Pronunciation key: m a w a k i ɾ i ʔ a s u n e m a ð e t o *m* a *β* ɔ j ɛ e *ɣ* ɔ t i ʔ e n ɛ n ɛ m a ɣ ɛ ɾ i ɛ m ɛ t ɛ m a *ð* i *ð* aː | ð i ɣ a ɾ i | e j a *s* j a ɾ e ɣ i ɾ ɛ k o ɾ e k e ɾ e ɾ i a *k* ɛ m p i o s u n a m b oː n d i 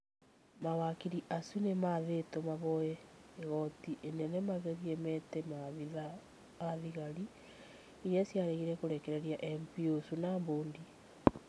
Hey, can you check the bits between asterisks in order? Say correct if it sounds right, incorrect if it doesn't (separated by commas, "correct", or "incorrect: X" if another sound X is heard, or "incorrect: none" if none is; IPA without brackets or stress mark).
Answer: correct, correct, correct, correct, correct, correct, incorrect: ʔ